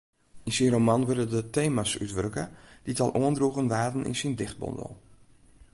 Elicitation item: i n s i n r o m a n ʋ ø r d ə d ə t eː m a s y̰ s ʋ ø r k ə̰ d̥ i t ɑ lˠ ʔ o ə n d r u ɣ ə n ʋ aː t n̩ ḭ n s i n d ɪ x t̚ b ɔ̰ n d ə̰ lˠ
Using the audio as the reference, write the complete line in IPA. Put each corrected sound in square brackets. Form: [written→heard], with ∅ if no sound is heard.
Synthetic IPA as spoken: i n s i n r o m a n ʋ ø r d ə d ə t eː m a s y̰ [s→t] ʋ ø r k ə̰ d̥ i t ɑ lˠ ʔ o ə n d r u ɣ ə n ʋ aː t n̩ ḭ n s i n d ɪ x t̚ b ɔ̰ n d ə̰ lˠ

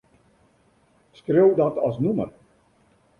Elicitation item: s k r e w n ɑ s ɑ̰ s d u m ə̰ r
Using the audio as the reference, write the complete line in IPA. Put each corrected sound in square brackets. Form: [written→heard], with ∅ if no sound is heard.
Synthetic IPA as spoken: s k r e w [n→d] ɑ [s→t] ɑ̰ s [d→n] u m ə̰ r

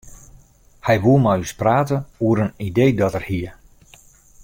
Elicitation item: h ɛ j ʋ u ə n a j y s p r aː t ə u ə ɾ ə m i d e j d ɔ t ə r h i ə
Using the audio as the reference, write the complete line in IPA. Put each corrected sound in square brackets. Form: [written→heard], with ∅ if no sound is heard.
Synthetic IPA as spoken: h ɛ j ʋ u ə [n→m] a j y s p r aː t ə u ə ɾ ə [m→n] i d e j d ɔ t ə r h i ə

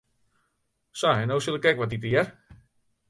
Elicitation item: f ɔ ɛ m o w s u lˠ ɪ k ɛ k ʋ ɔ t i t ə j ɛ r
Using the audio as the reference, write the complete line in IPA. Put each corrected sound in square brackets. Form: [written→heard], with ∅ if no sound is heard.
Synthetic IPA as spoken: [f→s] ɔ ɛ [m→n] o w s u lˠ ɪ k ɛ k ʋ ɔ t i t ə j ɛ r

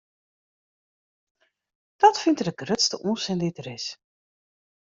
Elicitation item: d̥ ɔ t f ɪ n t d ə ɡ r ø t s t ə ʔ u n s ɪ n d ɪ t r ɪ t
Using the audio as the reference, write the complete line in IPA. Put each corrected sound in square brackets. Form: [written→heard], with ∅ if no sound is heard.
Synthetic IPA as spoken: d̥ ɔ t f ɪ n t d ə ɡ r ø t s t ə ʔ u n s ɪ n d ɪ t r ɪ [t→s]

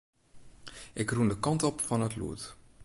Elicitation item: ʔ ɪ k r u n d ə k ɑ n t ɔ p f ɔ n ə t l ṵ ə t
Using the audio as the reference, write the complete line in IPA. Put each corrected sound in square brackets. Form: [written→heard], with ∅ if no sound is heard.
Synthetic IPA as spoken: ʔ ɪ k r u n d ə k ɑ n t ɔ p f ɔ n ə t l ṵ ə t

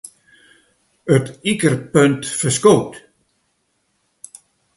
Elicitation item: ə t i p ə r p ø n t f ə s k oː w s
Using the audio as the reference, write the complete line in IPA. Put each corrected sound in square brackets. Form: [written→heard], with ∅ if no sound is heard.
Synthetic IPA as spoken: ə t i [p→k] ə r p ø n t f ə s k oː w [s→t]

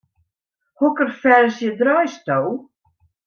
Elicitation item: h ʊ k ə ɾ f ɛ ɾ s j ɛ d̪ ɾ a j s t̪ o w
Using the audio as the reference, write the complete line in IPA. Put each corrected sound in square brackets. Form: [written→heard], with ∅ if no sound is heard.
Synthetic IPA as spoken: h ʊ k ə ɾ f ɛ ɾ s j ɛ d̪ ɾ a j s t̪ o w

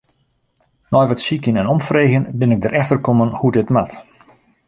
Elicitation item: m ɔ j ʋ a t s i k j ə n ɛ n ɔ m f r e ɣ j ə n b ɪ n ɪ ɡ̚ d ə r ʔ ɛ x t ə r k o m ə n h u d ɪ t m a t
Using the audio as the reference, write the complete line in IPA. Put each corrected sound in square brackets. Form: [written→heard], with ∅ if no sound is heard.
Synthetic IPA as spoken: [m→n] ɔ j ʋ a t s i k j ə n ɛ n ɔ m f r e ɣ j ə n b ɪ n ɪ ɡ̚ d ə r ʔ ɛ x t ə r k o m ə n h u d ɪ t m a t

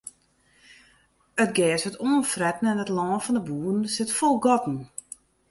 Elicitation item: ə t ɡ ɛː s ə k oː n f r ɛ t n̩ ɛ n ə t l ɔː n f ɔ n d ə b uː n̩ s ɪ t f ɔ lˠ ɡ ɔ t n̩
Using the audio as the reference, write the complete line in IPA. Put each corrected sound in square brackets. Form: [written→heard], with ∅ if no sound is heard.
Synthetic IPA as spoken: ə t ɡ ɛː s ə [k→t] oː n f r ɛ t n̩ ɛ n ə t l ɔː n f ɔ n d ə b uː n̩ s ɪ t f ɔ lˠ ɡ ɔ t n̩

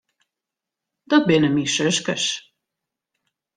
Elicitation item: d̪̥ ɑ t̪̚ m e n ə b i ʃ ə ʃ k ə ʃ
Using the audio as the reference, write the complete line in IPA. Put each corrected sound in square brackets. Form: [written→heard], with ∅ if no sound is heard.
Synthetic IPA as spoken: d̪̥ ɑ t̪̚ [m→b] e n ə [b→m] i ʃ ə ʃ k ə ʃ

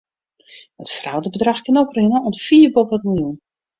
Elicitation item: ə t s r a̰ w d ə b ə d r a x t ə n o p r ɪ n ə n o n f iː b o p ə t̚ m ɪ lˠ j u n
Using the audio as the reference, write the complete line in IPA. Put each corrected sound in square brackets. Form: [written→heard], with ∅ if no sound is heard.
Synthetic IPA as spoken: ə t [s→f] r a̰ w d ə b ə d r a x [t→k] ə n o p r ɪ n ə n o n f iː b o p ə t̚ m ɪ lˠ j u n

